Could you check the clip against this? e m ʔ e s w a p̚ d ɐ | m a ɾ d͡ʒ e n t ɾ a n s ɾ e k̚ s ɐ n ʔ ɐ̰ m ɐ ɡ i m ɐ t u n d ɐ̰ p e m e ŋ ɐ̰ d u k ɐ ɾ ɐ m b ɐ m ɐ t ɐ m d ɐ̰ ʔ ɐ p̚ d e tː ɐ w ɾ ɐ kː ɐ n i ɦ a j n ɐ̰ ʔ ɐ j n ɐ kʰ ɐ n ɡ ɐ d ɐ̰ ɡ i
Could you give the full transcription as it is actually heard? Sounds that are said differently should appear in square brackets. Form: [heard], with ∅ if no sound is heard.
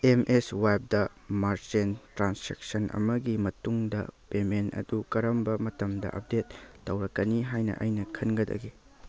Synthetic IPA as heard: e m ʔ e s w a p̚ d ɐ | m a ɾ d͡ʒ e n t ɾ a n s ɾ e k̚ s ɐ n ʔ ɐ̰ m ɐ ɡ i m ɐ t u [ŋ] d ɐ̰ p e m e [n] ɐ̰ d u k ɐ ɾ ɐ m b ɐ m ɐ t ɐ m d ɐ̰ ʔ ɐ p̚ d e tː ɐ w ɾ ɐ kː ɐ n i ɦ a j n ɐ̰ ʔ ɐ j n ɐ kʰ ɐ n ɡ ɐ d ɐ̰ ɡ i